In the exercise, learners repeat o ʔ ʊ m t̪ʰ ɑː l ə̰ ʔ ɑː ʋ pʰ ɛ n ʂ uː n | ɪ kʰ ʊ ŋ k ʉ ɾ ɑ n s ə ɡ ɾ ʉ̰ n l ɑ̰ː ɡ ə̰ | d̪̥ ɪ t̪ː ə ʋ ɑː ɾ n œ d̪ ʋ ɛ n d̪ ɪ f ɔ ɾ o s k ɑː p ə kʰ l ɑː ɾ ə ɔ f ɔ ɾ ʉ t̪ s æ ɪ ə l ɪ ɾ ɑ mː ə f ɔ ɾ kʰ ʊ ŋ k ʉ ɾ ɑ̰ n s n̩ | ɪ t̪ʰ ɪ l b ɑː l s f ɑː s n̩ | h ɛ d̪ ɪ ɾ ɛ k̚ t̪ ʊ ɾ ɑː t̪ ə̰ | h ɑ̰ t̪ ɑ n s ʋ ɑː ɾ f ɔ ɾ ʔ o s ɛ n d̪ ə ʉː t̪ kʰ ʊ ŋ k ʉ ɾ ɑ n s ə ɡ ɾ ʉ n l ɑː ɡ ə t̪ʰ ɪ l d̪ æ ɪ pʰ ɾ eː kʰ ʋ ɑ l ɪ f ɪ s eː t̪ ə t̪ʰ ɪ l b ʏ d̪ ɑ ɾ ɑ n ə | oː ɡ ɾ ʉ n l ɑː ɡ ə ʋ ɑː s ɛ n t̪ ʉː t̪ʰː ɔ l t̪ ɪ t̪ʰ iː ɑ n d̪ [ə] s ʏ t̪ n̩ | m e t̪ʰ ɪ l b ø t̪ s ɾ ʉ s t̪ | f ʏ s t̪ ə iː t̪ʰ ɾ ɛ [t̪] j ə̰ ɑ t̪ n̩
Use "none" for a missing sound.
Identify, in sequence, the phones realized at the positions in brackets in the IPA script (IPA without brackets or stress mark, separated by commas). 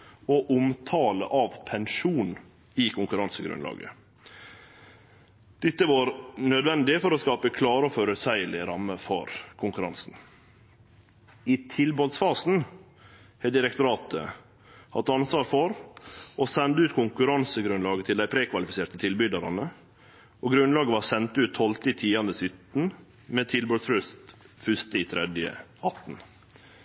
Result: ə, d̪